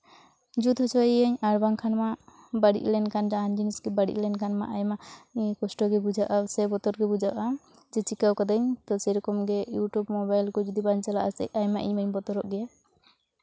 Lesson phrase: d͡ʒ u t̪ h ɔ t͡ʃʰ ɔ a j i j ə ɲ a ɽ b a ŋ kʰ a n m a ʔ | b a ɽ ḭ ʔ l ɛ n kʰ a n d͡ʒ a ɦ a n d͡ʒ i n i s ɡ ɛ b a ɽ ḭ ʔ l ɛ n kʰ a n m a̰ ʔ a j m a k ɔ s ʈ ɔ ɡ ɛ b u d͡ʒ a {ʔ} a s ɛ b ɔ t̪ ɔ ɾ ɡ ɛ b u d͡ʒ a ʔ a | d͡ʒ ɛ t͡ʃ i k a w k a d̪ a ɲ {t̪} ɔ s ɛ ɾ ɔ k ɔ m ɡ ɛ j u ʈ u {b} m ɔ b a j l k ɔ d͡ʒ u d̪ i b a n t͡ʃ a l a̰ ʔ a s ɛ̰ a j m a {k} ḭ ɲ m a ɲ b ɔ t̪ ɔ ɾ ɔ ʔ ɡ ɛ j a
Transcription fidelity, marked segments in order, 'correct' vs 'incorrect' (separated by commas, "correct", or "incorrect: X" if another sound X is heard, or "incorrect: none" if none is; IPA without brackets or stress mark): correct, correct, correct, incorrect: ʔ